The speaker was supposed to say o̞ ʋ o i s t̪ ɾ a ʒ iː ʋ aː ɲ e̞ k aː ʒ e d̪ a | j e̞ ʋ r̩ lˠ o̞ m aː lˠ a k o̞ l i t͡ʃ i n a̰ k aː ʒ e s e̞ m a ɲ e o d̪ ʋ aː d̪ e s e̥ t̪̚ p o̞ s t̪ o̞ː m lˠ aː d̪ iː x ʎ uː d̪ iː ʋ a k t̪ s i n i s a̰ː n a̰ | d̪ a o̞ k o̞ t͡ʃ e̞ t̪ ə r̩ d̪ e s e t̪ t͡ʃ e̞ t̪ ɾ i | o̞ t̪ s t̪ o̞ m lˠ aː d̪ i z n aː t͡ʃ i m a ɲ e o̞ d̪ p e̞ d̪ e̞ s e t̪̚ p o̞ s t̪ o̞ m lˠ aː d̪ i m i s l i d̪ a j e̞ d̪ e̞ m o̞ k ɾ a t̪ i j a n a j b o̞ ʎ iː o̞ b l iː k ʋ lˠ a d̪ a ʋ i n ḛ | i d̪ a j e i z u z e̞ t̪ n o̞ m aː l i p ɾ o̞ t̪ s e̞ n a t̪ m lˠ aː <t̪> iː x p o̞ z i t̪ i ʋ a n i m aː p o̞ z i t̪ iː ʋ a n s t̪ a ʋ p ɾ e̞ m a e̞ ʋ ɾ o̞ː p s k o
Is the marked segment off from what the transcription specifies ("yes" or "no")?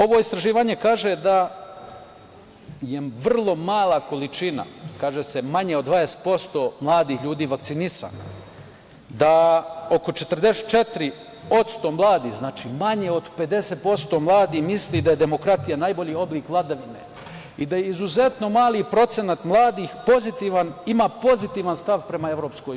yes